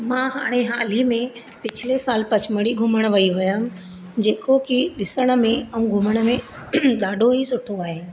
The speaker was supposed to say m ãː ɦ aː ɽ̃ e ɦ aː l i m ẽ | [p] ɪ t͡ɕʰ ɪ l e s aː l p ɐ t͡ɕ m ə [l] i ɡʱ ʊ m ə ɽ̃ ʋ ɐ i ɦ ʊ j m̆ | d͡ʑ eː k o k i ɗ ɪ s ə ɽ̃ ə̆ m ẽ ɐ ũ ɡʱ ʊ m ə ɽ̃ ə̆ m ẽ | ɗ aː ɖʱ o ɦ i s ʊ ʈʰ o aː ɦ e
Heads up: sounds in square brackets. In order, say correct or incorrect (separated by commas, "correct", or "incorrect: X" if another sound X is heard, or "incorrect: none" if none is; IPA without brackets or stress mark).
correct, incorrect: ɽ